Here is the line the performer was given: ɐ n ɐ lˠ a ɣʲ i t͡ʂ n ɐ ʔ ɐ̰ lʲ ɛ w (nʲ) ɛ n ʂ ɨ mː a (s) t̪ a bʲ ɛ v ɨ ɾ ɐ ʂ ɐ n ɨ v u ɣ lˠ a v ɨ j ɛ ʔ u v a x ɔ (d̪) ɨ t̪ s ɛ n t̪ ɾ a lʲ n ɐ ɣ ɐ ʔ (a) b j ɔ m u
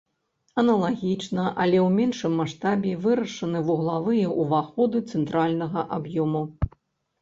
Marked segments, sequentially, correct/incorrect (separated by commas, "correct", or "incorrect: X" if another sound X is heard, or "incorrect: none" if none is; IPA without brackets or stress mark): incorrect: mʲ, incorrect: ʂ, correct, correct